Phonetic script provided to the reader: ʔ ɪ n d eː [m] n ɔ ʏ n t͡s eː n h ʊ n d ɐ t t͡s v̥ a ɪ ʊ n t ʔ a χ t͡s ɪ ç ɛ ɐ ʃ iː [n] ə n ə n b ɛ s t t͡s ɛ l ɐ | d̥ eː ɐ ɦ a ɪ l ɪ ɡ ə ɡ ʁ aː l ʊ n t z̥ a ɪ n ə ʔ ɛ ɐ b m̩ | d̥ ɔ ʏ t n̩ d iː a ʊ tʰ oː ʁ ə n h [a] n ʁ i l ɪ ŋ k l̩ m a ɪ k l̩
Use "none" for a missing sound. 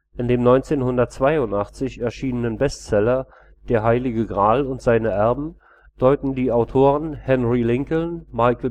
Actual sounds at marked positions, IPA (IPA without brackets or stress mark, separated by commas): m, n, ɛ